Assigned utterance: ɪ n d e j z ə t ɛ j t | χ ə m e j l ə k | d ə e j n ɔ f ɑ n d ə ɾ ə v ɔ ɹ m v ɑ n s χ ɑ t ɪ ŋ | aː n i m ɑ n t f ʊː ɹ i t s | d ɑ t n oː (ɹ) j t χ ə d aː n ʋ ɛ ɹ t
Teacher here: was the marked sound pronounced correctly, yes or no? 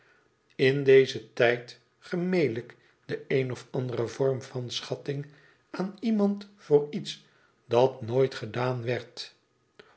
no